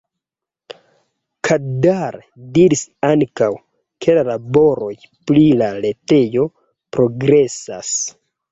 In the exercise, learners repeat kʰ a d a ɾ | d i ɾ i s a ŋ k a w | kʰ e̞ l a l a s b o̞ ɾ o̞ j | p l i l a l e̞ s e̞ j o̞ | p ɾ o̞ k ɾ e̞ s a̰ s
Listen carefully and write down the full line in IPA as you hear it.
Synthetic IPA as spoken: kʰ a d a ɾ | d i ɾ i s a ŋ k a w | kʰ e̞ l a l a b o̞ ɾ o̞ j | p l i l a l e̞ t e̞ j o̞ | p ɾ o̞ ɡ ɾ e̞ s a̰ s